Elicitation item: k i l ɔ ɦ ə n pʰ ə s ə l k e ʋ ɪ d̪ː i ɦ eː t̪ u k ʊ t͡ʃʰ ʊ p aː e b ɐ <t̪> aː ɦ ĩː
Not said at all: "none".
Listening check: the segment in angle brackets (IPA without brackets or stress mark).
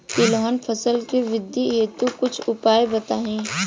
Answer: t̪